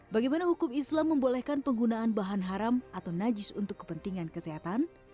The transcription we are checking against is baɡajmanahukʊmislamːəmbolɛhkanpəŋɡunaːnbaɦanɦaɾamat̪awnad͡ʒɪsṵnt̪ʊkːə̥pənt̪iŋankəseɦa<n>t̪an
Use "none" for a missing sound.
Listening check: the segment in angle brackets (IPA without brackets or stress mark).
none